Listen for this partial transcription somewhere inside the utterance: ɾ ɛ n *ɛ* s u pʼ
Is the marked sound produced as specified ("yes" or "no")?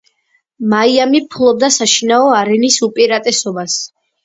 no